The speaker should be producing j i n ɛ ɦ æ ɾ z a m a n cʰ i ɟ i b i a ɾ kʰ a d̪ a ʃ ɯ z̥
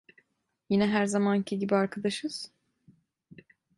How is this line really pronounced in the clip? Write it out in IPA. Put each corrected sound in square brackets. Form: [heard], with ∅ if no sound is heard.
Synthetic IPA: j i n ɛ ɦ æ ɾ z a m a n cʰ i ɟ i b i a ɾ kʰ a d̪ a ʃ ɯ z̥